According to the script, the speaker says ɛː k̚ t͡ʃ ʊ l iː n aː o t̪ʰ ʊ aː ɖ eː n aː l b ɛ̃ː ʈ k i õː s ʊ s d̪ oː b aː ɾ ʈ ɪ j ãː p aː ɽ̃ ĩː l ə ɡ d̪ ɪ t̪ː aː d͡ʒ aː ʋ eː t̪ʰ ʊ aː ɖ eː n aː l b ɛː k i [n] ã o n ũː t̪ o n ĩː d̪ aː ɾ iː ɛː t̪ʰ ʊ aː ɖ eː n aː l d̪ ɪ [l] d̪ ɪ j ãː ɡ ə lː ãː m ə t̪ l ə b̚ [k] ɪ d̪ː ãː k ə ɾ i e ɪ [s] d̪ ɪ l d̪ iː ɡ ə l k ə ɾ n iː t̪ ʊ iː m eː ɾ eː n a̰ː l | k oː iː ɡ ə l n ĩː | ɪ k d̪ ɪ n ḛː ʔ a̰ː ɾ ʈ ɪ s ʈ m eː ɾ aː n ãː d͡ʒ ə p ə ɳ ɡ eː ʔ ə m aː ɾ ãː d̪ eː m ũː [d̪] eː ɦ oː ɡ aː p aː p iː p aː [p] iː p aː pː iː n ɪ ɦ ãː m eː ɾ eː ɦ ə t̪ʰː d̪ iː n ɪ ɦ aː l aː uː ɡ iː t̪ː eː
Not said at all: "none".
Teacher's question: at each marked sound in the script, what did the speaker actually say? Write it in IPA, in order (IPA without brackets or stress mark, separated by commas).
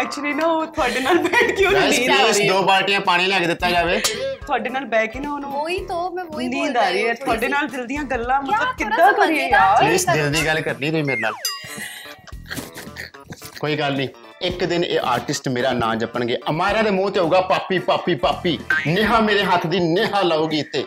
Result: n, l, k, s, t̪, p